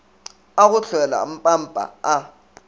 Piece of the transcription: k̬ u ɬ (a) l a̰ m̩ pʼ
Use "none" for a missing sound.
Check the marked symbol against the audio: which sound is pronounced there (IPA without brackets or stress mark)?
ɛ